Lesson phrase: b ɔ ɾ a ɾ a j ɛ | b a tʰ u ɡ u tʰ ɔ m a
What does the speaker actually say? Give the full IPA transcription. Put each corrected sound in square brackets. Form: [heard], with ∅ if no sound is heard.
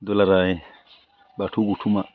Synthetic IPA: [d] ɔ [l] a ɾ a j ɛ | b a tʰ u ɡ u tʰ [u] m a